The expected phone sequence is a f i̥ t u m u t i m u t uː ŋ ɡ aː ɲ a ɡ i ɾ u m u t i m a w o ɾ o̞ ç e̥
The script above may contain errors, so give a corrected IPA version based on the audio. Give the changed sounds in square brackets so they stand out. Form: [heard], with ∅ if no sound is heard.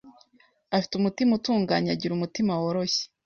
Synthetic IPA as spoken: a f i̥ t u m u t i m u t uː ŋ ɡ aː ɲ a [ɟ] i ɾ u m u t i m a w o ɾ o̞ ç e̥